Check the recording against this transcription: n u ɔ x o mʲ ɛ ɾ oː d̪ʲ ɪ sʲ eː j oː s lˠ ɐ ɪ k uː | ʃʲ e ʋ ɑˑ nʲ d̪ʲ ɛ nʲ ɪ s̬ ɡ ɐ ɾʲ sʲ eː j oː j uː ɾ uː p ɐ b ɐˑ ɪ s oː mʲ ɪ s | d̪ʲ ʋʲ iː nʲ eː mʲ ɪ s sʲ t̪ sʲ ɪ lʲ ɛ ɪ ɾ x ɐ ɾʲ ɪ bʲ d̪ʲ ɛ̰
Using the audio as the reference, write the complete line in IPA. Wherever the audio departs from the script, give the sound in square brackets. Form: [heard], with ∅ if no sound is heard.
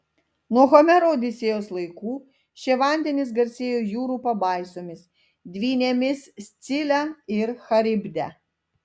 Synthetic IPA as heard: n u ɔ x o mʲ ɛ ɾ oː d̪ʲ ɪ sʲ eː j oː s lˠ ɐ ɪ k uː | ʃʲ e ʋ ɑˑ nʲ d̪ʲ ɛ nʲ ɪ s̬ ɡ ɐ ɾʲ sʲ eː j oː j uː ɾ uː p ɐ b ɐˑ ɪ s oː mʲ ɪ s | d̪ʲ ʋʲ iː nʲ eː mʲ ɪ s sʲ t̪ sʲ ɪ lʲ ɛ ɪ ɾ x ɐ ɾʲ ɪ bʲ d̪ʲ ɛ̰

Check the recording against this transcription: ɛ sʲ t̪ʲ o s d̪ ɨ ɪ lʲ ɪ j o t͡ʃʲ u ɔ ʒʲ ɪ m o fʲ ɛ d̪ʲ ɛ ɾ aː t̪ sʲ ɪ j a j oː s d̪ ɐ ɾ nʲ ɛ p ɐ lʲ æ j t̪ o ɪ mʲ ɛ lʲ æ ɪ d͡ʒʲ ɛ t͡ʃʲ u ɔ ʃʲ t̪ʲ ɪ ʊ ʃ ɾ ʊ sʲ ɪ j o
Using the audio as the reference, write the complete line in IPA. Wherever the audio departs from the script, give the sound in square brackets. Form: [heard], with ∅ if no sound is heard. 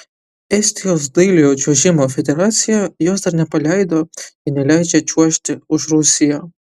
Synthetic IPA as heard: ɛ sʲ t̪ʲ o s d̪ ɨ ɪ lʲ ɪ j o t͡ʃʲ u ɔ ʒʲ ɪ m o fʲ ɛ d̪ʲ ɛ ɾ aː t̪ sʲ ɪ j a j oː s d̪ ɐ ɾ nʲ ɛ p ɐ lʲ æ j [d̪] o ɪ [nʲ] ɛ lʲ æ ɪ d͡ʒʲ ɛ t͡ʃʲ u ɔ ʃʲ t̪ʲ ɪ ʊ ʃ ɾ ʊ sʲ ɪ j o

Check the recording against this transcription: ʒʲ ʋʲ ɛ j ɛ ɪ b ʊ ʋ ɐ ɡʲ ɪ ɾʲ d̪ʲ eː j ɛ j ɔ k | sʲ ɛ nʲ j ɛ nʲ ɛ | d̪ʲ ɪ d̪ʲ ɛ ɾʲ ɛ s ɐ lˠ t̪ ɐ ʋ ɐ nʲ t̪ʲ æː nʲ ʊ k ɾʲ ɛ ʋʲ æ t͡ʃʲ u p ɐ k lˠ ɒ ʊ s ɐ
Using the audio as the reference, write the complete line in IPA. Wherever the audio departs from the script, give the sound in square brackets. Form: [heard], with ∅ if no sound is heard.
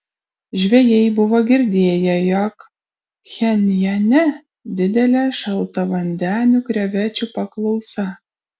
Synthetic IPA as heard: ʒʲ ʋʲ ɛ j ɛ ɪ b ʊ ʋ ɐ ɡʲ ɪ ɾʲ d̪ʲ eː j ɛ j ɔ k | [xʲ] ɛ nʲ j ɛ nʲ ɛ | d̪ʲ ɪ d̪ʲ ɛ [lʲ] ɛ [ʃ] ɐ lˠ t̪ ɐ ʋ ɐ nʲ [d̪ʲ] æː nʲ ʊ k ɾʲ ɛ ʋʲ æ t͡ʃʲ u p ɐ k lˠ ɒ ʊ s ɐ

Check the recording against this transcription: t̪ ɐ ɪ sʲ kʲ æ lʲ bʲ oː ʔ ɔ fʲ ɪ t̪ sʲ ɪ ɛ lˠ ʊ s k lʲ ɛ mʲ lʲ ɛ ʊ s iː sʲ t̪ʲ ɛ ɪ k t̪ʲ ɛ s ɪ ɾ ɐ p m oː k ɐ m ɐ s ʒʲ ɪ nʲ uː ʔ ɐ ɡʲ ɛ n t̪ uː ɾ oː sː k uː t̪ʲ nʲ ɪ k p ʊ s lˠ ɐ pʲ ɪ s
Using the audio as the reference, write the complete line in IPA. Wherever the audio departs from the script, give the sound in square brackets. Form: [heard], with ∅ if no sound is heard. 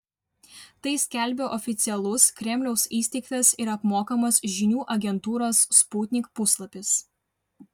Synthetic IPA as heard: t̪ ɐ ɪ sʲ kʲ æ lʲ bʲ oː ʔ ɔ fʲ ɪ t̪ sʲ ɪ ɛ lˠ ʊ s k [ɾʲ] ɛ mʲ lʲ ɛ ʊ s iː sʲ t̪ʲ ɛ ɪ k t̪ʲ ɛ s ɪ ɾ ɐ p m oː k ɐ m ɐ s ʒʲ ɪ nʲ uː ʔ ɐ ɡʲ ɛ n t̪ uː ɾ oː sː [p] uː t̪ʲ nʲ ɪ k p ʊ s lˠ ɐ pʲ ɪ s

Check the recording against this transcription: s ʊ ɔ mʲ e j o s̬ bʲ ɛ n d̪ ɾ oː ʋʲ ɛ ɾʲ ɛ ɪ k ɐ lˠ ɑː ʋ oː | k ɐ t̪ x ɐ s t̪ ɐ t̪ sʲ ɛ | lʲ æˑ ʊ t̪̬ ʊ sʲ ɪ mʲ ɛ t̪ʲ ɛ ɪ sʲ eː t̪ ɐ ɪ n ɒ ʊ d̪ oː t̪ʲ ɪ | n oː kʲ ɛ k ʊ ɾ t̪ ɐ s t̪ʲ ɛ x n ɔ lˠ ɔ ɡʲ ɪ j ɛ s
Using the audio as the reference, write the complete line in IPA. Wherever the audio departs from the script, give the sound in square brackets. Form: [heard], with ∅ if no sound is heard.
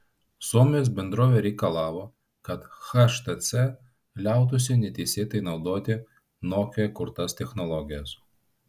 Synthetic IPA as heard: s [u] ɔ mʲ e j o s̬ bʲ ɛ n d̪ ɾ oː ʋʲ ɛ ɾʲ ɛ ɪ k ɐ lˠ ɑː ʋ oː | k ɐ t̪ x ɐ [ʃ] t̪ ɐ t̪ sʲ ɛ | lʲ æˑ ʊ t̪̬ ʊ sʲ ɪ [nʲ] ɛ t̪ʲ ɛ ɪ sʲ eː t̪ ɐ ɪ n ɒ ʊ d̪ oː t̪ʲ ɪ | n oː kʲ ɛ k ʊ ɾ t̪ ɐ s t̪ʲ ɛ x n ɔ lˠ ɔ ɡʲ ɪ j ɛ s

